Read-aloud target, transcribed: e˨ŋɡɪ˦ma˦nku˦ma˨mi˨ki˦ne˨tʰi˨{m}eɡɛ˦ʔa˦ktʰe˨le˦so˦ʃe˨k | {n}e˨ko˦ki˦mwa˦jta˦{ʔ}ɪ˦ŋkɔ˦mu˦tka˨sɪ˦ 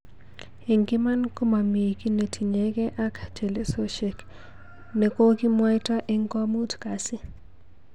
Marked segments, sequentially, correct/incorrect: incorrect, correct, correct

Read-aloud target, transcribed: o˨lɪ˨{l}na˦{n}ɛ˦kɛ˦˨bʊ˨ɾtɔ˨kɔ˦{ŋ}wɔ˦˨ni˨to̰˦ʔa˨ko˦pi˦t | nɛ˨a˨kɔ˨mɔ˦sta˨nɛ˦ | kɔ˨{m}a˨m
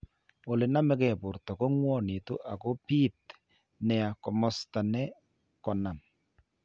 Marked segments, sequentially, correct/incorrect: incorrect, incorrect, correct, incorrect

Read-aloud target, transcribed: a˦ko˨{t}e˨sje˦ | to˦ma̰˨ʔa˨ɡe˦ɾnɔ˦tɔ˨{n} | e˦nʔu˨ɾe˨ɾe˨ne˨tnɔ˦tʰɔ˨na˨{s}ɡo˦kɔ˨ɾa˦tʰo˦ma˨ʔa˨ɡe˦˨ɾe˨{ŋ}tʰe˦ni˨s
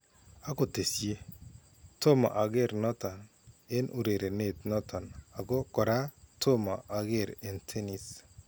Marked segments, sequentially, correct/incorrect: correct, correct, incorrect, incorrect

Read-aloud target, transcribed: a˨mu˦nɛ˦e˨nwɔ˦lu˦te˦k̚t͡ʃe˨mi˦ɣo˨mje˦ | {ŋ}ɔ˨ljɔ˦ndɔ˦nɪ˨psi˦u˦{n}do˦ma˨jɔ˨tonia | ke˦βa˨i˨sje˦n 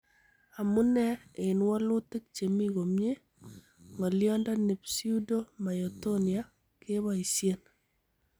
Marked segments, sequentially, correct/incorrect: correct, incorrect

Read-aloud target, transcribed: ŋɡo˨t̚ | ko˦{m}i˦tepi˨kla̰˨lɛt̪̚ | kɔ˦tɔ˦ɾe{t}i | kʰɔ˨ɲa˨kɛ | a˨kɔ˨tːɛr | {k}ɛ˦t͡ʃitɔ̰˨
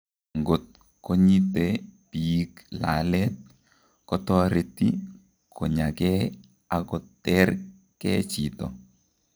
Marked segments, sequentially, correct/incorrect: incorrect, correct, correct

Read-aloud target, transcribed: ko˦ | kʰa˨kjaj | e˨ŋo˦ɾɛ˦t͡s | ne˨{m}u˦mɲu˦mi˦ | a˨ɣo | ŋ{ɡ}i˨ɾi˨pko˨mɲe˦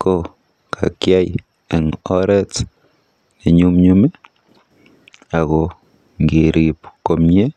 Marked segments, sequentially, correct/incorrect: incorrect, correct

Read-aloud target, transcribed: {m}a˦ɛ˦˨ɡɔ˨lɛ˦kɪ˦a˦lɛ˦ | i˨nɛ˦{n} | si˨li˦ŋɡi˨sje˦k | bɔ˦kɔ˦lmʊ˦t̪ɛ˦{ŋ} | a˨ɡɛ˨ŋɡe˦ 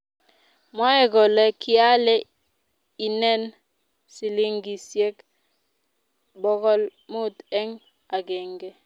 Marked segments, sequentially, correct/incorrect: correct, correct, correct

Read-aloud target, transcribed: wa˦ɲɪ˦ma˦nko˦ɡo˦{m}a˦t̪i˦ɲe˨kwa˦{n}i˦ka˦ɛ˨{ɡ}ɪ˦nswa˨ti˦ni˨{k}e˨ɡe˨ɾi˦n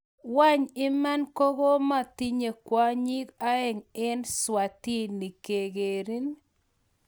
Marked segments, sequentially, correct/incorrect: correct, incorrect, incorrect, correct

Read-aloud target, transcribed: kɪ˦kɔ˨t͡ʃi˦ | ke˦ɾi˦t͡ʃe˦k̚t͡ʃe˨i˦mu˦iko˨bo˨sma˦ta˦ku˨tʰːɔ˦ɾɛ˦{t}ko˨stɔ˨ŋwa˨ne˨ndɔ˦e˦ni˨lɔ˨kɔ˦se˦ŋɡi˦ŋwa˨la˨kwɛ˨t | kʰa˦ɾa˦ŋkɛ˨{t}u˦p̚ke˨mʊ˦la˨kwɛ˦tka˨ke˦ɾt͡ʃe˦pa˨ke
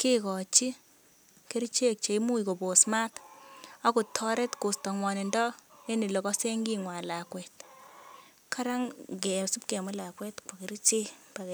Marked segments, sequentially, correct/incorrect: correct, incorrect

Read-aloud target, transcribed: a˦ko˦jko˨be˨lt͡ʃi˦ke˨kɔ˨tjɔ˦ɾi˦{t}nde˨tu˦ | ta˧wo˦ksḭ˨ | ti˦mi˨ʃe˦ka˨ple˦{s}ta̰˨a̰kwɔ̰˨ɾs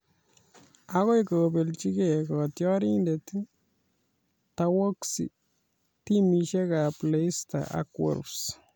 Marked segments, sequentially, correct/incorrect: incorrect, correct

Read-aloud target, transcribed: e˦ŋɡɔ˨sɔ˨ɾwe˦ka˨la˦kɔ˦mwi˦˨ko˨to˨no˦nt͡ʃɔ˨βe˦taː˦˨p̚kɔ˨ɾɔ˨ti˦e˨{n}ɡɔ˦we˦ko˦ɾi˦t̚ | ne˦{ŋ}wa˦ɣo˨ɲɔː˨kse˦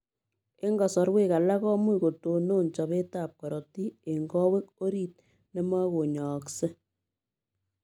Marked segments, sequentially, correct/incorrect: incorrect, incorrect

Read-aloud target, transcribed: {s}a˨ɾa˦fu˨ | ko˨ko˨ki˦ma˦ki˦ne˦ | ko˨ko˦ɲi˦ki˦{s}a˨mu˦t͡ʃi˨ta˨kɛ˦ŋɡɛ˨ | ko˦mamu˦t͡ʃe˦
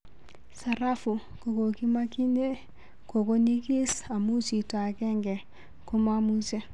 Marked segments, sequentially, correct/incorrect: correct, correct

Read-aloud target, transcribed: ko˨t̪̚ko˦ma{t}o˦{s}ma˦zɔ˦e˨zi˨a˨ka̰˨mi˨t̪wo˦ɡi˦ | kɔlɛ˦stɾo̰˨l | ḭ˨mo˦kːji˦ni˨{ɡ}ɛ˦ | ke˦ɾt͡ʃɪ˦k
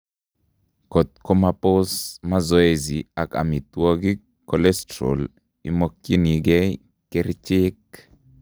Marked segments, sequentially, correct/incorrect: incorrect, correct, correct

